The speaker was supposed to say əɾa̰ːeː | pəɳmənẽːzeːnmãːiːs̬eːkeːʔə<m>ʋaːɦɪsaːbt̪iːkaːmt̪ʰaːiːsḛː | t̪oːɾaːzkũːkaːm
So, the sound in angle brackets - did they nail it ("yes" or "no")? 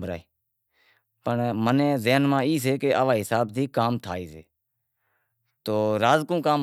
no